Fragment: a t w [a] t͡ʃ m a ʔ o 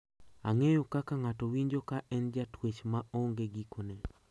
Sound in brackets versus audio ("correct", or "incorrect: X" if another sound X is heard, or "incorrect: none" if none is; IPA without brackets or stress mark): incorrect: e